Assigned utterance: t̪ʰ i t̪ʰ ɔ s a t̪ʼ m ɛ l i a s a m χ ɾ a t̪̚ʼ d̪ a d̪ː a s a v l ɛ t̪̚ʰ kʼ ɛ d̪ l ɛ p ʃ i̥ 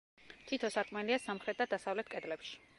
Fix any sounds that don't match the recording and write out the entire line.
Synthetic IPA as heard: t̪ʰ i t̪ʰ ɔ s a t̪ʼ m ɛ l i a s a m χ ɾ ɛ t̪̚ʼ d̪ a d̪ a s a v l ɛ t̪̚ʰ kʼ ɛ d̪ l ɛ p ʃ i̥